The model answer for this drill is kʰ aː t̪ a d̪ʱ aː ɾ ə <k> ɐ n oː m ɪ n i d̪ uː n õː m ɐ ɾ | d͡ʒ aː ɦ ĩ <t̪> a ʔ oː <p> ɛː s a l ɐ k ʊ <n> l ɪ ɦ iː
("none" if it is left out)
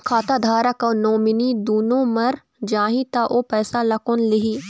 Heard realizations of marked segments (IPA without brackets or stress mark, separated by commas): k, t̪, p, n